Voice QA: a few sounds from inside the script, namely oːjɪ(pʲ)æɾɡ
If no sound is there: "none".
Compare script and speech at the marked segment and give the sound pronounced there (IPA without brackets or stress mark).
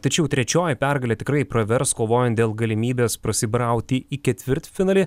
pʲ